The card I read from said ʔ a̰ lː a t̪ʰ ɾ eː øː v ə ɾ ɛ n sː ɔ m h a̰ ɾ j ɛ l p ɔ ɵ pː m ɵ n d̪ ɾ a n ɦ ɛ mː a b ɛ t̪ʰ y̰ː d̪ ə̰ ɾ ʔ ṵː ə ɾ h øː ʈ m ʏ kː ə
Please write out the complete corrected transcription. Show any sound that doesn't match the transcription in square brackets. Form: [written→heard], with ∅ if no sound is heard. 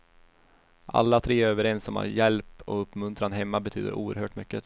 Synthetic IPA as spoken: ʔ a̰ lː a t̪ʰ ɾ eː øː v ə ɾ ɛ n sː ɔ m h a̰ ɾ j ɛ l p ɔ ɵ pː m ɵ n [d̪→t̪] ɾ a n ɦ ɛ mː a b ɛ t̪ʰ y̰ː d̪ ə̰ ɾ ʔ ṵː ə ɾ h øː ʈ m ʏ kː ə